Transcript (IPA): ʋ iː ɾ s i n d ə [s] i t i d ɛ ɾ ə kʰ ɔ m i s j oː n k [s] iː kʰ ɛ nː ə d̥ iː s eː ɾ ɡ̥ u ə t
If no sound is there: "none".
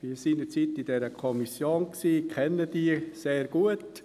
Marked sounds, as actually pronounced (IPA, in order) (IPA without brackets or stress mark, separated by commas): t͡s, s